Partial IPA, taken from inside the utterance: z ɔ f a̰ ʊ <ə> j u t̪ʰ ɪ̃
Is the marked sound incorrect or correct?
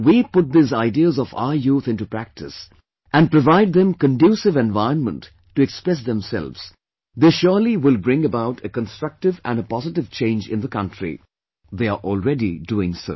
correct